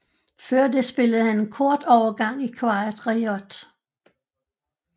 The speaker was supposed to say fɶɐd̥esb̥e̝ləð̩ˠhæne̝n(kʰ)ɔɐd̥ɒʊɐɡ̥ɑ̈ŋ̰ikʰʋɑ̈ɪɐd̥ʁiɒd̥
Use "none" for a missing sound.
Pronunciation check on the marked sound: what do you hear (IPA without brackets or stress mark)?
kʰ